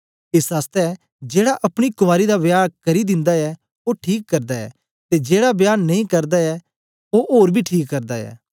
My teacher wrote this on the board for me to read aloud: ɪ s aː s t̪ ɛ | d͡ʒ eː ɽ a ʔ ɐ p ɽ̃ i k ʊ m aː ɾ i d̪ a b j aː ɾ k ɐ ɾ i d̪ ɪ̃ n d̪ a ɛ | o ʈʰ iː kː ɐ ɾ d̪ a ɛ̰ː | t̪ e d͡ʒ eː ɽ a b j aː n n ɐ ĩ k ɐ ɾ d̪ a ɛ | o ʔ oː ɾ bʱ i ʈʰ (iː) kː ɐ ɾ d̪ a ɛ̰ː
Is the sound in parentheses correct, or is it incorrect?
correct